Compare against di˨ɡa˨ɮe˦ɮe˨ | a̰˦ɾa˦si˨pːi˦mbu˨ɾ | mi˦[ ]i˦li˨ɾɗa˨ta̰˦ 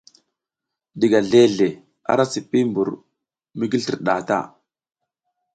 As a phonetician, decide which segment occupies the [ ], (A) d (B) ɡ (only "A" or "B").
B